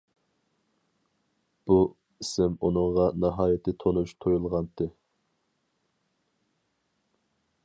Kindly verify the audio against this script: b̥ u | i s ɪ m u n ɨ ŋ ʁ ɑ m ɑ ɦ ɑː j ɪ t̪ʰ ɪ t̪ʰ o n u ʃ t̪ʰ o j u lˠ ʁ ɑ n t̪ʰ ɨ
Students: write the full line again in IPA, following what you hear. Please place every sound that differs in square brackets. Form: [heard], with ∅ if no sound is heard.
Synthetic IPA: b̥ u | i s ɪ m u n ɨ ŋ ʁ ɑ [n] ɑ ɦ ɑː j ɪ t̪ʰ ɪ t̪ʰ o n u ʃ t̪ʰ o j u lˠ ʁ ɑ n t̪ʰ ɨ